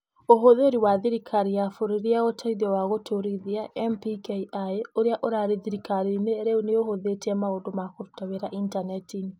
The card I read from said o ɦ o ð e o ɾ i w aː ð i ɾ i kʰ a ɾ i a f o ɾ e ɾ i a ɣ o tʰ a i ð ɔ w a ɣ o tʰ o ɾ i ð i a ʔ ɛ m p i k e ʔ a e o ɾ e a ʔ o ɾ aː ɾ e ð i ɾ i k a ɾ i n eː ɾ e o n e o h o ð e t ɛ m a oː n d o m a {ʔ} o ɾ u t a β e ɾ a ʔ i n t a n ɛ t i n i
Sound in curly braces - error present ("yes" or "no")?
yes